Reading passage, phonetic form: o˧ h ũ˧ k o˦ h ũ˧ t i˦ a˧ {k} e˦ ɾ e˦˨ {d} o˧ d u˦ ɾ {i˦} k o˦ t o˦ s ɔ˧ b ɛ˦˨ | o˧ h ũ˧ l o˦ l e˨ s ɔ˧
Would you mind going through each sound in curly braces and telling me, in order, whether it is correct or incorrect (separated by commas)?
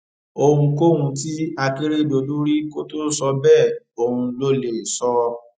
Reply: correct, correct, correct